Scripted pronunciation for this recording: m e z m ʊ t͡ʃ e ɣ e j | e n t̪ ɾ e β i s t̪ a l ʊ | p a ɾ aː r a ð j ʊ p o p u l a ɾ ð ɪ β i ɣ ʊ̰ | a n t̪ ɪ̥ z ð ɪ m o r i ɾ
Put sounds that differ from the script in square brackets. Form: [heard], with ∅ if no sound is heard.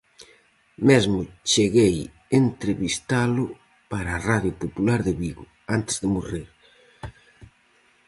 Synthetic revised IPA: m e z m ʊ t͡ʃ e ɣ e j | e n t̪ ɾ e β i s t̪ a l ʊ | p a ɾ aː r a ð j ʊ p o p u l a ɾ ð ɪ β i ɣ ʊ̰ | a n t̪ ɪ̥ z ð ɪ m o r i ɾ